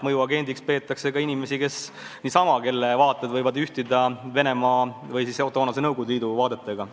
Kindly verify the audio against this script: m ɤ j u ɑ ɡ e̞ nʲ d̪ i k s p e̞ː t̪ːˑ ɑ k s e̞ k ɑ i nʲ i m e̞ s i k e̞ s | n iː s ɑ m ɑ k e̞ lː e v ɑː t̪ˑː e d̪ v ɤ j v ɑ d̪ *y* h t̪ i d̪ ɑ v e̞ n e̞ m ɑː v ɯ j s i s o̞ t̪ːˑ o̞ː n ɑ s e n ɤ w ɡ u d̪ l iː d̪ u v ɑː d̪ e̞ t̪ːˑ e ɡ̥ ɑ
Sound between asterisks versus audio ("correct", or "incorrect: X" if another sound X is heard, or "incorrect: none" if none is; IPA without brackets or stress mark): correct